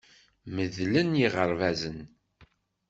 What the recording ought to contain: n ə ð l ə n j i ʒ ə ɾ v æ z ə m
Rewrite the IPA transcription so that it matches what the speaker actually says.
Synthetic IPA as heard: m ə ð l ə n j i ʁ ə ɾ v æ z ə n